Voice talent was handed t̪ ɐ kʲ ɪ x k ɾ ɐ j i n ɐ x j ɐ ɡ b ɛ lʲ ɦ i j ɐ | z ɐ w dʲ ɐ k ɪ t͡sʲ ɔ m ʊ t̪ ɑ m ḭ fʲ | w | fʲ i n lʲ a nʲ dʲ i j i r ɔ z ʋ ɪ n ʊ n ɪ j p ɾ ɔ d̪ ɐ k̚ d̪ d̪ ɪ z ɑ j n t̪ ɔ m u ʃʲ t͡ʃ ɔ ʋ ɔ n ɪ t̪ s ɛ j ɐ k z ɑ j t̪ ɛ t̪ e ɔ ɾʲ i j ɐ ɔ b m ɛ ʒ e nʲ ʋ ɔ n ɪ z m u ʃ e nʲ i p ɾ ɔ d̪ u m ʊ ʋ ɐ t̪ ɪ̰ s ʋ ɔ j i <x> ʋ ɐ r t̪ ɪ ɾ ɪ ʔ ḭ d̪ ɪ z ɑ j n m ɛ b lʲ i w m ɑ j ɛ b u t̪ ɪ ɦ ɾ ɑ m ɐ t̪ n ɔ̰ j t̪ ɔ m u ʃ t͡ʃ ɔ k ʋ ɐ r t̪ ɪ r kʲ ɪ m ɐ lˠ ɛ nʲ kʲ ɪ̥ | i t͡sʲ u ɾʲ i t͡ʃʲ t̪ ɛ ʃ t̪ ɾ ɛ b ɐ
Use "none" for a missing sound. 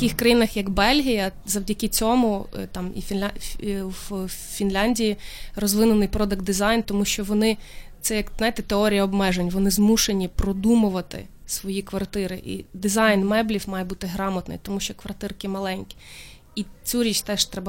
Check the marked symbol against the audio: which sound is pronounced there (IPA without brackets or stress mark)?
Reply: k